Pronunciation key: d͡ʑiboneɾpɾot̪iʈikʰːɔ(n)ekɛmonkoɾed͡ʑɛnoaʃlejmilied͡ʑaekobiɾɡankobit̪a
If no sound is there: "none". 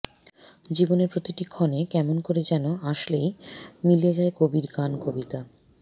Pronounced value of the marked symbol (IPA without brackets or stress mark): n